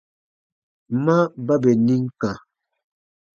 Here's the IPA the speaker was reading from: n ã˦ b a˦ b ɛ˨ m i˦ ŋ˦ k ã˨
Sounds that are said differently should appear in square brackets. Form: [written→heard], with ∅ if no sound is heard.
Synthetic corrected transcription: [n→m] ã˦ b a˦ b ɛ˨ [m→n] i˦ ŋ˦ k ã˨